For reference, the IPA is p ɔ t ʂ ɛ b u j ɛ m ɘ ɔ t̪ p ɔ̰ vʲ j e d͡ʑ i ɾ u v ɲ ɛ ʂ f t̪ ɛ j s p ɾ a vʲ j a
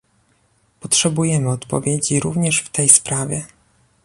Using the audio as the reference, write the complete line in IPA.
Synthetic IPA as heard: p ɔ t ʂ ɛ b u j ɛ m ɘ ɔ t̪ p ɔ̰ vʲ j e d͡ʑ i ɾ u v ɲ ɛ ʂ f t̪ ɛ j s p ɾ a vʲ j ɛ